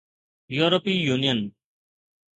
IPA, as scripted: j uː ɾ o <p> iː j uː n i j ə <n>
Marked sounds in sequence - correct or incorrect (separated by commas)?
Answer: correct, correct